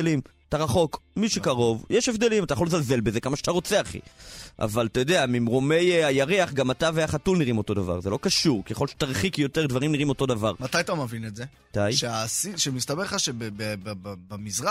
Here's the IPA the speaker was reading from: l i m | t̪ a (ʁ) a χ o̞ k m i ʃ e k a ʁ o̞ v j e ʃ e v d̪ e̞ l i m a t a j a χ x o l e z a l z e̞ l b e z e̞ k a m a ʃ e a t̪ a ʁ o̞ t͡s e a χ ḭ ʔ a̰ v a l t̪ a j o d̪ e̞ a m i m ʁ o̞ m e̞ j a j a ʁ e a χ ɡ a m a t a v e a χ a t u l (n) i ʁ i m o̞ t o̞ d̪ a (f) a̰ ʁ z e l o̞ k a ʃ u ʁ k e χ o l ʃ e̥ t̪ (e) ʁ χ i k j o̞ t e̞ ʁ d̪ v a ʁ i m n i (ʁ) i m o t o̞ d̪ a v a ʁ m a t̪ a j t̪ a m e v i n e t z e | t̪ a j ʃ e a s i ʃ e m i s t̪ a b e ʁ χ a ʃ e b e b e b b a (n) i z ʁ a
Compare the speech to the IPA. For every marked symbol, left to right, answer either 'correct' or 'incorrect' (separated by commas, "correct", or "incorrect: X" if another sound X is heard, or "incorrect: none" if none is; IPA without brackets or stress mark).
correct, correct, incorrect: v, incorrect: a, correct, incorrect: m